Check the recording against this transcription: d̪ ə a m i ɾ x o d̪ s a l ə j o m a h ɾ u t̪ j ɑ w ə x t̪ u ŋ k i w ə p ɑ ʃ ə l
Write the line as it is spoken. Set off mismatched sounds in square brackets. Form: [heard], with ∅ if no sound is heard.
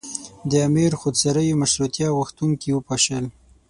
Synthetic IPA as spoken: d̪ ə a m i ɾ x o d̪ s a [ɾ] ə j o m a [ʃ] ɾ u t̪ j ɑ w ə x t̪ u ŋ k i w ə p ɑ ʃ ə l